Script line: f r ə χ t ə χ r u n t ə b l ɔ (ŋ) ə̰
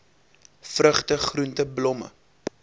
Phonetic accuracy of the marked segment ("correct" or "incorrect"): incorrect